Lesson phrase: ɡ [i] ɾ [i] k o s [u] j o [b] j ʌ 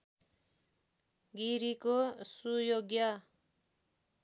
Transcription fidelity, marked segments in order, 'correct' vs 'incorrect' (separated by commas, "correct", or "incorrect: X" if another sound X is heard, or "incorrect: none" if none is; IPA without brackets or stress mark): correct, correct, correct, incorrect: ɡ